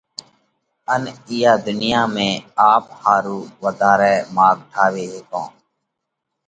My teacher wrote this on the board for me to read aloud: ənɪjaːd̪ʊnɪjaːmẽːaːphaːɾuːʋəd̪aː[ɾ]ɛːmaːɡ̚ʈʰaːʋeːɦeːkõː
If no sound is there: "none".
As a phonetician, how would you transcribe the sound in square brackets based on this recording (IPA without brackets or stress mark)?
ɾ